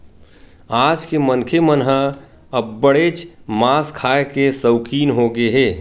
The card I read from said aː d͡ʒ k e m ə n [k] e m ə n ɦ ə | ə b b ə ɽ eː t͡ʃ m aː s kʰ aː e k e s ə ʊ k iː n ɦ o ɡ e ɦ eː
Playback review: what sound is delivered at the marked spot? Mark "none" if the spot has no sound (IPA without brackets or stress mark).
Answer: kʰ